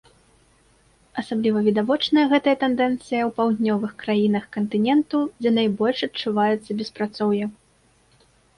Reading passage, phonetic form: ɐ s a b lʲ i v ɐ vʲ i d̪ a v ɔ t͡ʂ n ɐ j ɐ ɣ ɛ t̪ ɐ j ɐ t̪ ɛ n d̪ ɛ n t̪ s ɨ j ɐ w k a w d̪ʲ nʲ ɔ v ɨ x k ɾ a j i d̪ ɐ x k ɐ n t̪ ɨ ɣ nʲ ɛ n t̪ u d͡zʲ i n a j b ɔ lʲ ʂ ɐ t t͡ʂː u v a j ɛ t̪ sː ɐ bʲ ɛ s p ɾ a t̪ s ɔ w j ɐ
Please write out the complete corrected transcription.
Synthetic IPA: ɐ s a b lʲ i v ɐ vʲ i d̪ a v ɔ t͡ʂ n ɐ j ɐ ɣ ɛ t̪ ɐ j ɐ t̪ ɛ n d̪ ɛ n t̪ s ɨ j ɐ w p a w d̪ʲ nʲ ɔ v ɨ x k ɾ a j i n̪ ɐ x k ɐ n t̪ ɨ nʲ ɛ n t̪ u d͡zʲ ɛ n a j b ɔ lʲ ʂ ɐ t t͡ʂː u v a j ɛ t̪ sː ɐ bʲ ɛ s p ɾ a t̪ s ɔ w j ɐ